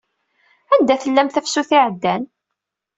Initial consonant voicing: voiced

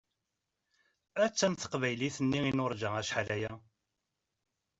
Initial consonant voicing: voiceless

